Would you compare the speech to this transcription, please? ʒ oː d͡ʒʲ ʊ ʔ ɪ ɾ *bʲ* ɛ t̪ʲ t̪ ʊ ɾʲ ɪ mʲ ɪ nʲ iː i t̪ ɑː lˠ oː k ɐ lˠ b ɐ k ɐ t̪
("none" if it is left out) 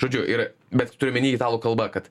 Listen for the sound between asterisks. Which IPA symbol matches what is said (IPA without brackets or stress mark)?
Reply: bʲ